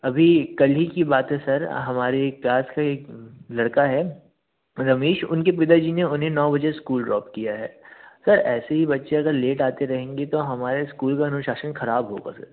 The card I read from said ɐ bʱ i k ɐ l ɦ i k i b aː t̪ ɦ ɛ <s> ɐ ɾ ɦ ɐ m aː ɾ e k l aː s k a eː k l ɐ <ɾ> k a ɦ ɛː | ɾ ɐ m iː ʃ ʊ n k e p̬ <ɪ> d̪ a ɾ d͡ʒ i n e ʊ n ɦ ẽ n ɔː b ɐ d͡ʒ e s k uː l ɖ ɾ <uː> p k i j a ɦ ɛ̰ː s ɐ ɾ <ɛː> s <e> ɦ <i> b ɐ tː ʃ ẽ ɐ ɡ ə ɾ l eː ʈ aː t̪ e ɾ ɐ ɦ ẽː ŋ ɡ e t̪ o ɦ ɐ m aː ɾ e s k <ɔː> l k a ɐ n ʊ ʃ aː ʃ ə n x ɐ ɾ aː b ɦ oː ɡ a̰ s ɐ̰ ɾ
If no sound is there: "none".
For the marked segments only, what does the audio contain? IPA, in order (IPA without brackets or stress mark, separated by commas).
s, ɽ, ɪ, ɔː, ɛː, e, i, uː